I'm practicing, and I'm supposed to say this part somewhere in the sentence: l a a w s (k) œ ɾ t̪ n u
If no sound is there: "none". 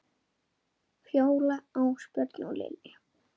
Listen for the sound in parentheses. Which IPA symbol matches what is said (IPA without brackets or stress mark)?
p